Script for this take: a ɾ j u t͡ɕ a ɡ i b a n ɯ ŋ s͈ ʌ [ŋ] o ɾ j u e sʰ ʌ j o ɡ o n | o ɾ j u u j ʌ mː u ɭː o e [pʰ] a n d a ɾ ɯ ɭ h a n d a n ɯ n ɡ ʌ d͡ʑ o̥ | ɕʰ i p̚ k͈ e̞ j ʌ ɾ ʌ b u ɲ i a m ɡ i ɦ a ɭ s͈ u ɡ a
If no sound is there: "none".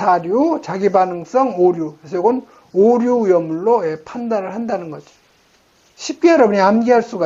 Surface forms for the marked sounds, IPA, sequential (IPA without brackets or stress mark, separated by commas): ŋ, pʰ